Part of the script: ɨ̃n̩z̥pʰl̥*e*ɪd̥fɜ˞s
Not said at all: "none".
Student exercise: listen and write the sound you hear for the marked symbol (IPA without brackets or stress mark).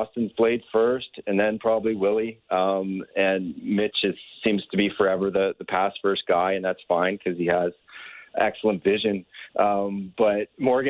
e